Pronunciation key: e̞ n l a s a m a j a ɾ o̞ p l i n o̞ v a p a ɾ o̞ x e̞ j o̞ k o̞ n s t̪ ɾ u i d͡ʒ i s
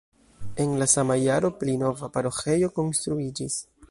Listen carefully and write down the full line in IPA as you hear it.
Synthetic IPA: e̞ n l a s a m a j a ɾ o̞ p l i n o̞ v a p a ɾ o̞ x e̞ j o̞ k o̞ n s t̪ ɾ u i d͡ʒ i s